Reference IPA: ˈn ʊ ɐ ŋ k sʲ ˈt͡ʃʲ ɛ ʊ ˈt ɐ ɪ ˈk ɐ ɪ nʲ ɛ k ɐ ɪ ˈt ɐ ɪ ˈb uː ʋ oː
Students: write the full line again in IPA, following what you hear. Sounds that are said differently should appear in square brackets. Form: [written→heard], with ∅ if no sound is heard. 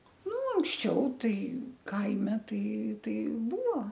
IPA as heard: ˈn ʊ ɐ ŋ k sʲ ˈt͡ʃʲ ɛ ʊ ˈt ɐ ɪ ˈk ɐ ɪ [nʲ→mʲ] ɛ [k→t] ɐ ɪ ˈt ɐ ɪ ˈb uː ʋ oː